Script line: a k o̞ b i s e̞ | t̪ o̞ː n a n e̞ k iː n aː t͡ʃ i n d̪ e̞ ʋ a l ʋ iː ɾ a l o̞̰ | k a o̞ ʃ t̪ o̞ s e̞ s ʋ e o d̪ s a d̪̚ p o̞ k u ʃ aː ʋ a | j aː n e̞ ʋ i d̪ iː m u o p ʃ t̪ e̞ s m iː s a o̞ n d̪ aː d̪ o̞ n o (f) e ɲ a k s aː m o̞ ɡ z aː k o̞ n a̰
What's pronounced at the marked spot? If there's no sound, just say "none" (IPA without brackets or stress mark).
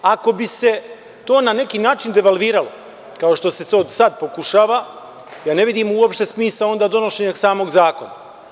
ʃ